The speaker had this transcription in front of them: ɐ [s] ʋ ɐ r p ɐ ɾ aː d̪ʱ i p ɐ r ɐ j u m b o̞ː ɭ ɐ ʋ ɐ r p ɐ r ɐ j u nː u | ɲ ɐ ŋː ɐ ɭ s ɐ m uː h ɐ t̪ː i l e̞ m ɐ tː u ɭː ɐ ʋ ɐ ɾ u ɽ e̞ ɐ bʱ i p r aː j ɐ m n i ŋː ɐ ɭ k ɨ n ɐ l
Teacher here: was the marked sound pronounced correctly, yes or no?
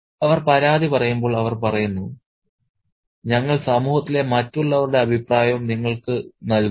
no